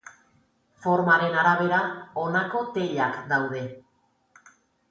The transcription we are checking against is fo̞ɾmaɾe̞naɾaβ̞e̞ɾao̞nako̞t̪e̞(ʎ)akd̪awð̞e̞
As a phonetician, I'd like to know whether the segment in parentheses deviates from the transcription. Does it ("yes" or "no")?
no